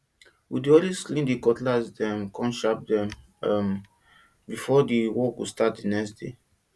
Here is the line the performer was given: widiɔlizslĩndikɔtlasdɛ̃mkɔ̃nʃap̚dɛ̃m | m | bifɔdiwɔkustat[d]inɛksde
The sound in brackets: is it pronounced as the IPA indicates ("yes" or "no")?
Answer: yes